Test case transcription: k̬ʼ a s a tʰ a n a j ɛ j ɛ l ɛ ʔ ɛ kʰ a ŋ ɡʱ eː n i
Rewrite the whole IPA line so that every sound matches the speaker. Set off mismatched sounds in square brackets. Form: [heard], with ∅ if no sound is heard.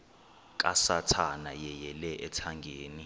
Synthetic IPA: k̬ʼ a s a tʰ a n a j ɛ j ɛ l ɛ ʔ ɛ [tʰ] a ŋ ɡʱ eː n i